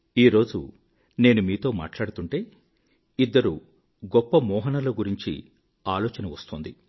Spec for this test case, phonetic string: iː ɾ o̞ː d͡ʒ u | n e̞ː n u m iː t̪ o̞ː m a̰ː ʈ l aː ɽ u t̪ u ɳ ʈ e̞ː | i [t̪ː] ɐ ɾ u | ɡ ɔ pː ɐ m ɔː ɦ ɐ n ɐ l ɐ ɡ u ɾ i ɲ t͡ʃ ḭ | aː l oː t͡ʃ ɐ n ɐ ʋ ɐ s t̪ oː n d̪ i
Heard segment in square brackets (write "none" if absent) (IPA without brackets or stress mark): d̪ː